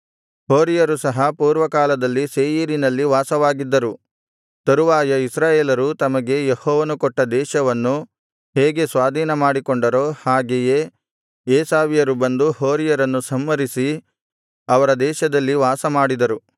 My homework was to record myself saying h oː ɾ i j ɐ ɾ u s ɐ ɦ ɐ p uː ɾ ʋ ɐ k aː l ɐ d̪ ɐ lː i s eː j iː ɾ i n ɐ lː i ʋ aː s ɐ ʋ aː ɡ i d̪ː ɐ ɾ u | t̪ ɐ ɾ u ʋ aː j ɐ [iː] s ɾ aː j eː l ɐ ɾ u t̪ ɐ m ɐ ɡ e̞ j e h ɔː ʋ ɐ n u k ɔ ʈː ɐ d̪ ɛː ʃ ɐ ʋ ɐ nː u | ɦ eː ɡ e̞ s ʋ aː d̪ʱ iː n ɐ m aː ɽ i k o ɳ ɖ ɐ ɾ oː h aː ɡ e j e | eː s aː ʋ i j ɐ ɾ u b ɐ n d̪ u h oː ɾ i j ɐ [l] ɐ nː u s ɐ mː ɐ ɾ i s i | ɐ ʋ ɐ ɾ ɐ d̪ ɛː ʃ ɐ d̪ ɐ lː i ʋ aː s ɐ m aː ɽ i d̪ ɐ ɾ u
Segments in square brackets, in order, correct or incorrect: incorrect: i, incorrect: ɾ

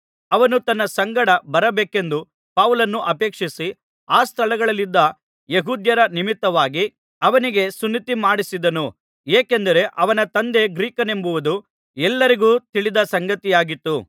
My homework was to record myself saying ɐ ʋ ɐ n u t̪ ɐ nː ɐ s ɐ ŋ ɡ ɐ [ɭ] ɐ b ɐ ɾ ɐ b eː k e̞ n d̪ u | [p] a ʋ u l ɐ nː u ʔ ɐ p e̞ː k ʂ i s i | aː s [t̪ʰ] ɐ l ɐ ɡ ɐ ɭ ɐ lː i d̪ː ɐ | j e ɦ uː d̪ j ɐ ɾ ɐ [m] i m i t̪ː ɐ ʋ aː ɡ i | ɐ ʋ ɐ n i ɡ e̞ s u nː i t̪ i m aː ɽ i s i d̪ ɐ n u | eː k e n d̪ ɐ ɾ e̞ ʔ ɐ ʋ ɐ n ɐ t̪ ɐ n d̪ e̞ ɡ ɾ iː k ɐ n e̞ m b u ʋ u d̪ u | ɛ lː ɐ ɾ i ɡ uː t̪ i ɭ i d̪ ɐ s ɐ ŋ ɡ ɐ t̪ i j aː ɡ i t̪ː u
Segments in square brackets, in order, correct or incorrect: incorrect: ɽ, correct, correct, incorrect: n

